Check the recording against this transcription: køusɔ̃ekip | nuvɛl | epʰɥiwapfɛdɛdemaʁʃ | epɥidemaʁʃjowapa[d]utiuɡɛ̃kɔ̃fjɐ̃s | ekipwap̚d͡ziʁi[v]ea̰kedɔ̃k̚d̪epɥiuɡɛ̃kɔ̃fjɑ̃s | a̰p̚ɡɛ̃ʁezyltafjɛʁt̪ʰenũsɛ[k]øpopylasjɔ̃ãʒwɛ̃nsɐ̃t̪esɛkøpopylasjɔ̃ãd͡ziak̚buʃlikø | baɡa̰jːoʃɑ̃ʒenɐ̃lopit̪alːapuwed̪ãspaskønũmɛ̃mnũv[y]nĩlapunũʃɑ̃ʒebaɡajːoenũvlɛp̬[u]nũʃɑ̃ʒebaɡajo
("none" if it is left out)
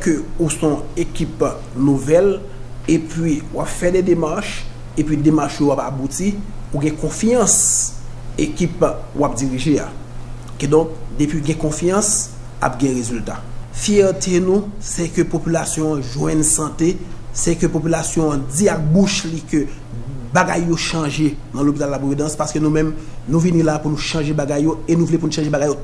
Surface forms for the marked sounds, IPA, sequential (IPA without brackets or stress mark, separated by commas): b, ʒ, k, i, u